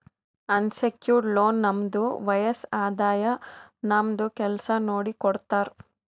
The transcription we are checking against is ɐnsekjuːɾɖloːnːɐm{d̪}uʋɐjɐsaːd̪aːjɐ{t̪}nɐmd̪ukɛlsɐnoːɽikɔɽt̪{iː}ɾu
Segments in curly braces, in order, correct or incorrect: correct, incorrect: none, incorrect: aː

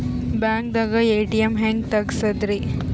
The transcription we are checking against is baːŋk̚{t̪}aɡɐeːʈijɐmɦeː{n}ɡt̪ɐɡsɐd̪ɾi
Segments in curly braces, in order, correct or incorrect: incorrect: d̪, incorrect: ŋ

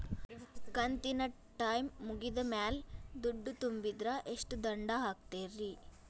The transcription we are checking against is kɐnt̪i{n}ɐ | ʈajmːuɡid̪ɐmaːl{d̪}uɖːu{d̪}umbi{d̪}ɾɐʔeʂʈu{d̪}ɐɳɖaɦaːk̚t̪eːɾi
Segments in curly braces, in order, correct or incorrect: correct, correct, incorrect: t̪, correct, correct

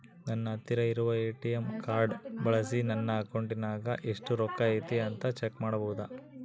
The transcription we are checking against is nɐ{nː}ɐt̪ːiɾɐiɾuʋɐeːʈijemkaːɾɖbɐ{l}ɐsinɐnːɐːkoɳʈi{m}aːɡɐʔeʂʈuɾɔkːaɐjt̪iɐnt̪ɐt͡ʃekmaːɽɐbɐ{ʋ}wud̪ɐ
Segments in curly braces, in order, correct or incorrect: correct, incorrect: ɭ, incorrect: n, incorrect: none

